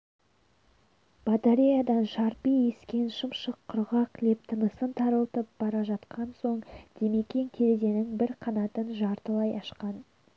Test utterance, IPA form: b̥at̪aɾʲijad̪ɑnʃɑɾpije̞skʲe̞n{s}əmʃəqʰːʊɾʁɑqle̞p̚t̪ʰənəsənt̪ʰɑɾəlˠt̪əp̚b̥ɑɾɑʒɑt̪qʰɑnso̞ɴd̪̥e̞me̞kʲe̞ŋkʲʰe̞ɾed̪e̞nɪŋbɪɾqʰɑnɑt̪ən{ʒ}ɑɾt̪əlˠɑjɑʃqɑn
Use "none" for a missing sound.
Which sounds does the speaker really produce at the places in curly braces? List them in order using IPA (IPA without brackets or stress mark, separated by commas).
ʃ, ʒ